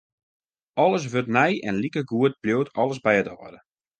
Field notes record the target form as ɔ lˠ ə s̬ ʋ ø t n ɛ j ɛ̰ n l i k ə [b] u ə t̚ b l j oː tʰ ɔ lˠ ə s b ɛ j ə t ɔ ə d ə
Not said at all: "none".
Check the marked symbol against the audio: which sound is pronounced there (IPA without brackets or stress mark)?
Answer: ɡ